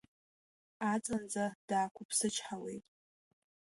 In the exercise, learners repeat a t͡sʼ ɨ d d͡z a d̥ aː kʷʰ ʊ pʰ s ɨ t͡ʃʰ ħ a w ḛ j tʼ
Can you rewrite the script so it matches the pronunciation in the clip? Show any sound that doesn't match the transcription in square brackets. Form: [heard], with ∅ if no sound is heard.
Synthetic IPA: a t͡sʼ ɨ [n] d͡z a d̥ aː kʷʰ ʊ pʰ s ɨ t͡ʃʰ ħ a w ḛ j tʼ